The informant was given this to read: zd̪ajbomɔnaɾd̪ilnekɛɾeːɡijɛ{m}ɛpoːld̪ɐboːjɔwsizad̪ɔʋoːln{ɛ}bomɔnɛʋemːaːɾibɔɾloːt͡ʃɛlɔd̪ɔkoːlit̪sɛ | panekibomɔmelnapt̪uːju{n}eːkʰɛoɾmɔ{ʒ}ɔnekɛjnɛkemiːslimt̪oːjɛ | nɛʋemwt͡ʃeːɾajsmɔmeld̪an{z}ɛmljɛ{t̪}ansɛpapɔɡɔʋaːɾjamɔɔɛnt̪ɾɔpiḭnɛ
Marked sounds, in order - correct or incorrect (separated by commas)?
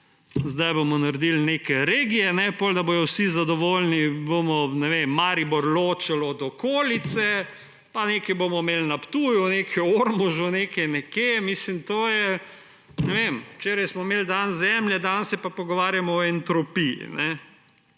incorrect, incorrect, correct, correct, correct, incorrect